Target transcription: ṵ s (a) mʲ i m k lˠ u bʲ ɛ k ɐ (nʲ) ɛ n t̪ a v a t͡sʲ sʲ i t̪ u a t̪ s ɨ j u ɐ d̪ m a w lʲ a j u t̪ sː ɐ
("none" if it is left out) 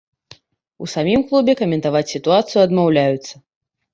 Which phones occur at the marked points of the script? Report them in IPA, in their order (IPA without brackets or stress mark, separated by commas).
a, mʲ